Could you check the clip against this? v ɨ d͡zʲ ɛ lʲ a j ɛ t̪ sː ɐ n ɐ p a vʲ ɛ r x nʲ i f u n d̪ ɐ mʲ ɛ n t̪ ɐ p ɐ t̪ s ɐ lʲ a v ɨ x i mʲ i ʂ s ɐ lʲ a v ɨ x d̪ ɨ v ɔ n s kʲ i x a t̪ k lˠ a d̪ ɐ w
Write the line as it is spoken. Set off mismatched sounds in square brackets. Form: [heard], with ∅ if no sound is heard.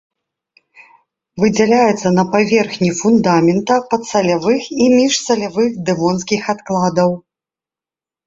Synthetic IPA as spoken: v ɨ d͡zʲ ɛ lʲ a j ɛ t̪ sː ɐ n ɐ p a vʲ ɛ r x nʲ i f u n d̪ [a] mʲ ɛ n t̪ ɐ p ɐ t̪ s ɐ lʲ a v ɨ x i mʲ i ʂ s ɐ lʲ a v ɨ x d̪ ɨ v ɔ n s kʲ i x a t̪ k lˠ a d̪ ɐ w